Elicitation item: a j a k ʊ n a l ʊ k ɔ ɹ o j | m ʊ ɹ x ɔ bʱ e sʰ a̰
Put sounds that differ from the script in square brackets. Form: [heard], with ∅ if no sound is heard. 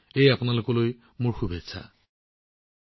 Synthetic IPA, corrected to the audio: [e] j a [p] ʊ n a l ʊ k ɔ [l] o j | m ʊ ɹ x [u] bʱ e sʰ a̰